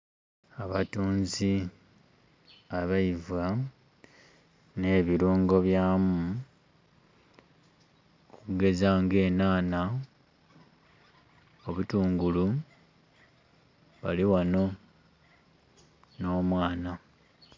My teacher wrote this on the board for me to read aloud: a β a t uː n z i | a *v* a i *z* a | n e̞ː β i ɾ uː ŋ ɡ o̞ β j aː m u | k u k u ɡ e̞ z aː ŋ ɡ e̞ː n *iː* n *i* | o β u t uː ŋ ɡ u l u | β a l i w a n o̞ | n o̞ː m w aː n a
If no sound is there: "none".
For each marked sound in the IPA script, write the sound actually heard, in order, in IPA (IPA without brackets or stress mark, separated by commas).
β, v, aː, a